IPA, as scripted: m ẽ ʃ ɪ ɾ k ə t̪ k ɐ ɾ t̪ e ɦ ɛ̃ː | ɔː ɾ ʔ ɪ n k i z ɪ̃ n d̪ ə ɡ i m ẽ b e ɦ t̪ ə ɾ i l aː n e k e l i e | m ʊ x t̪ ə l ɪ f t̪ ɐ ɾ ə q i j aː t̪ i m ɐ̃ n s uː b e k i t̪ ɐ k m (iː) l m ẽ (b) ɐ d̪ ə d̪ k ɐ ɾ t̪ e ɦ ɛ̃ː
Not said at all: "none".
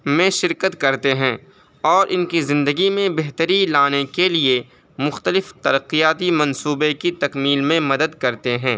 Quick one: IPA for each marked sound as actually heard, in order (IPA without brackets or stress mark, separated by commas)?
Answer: iː, m